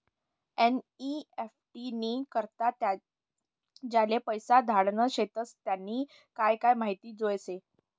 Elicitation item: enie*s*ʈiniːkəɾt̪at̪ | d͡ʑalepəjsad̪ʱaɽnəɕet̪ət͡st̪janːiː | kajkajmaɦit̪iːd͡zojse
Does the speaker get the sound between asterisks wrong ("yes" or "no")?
yes